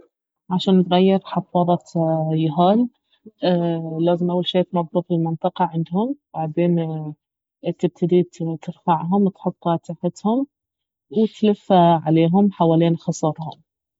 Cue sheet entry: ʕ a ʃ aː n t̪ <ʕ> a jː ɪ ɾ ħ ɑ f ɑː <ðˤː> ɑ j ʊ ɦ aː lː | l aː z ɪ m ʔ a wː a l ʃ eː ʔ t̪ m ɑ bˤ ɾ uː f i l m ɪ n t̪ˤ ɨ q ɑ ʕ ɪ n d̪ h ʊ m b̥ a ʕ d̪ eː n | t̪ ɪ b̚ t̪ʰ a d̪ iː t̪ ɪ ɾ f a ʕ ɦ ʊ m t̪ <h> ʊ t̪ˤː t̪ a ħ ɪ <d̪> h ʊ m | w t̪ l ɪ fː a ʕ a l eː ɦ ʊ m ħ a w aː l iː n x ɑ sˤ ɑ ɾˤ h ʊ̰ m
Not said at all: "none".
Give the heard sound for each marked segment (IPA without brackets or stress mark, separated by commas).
ɣ, ðˤ, ħ, t̪